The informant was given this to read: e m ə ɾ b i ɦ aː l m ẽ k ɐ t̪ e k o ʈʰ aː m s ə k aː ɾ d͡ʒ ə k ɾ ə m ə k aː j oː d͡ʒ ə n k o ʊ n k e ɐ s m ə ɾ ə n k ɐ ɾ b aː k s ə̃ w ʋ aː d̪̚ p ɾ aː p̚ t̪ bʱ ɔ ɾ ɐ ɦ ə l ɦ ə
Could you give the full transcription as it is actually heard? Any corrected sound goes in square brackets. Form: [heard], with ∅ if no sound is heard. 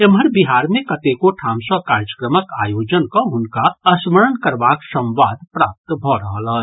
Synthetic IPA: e m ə ɾ b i ɦ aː [ɾ] m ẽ k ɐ t̪ e k o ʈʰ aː m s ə k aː ɾ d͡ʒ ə k ɾ ə m ə k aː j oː d͡ʒ ə n k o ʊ n k [a] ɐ s m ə ɾ ə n k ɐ ɾ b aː k s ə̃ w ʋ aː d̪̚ p ɾ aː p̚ t̪ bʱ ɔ ɾ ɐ ɦ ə l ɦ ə